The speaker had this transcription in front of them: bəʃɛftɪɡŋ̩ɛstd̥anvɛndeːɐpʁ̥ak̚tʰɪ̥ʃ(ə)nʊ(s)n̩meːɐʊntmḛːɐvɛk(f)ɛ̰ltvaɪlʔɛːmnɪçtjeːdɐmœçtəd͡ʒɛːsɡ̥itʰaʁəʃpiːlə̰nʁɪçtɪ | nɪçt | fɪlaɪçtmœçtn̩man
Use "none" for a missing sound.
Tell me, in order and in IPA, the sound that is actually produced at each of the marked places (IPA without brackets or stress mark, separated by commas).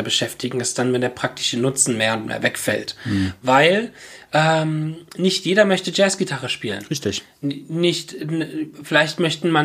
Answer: ə, t͡s, f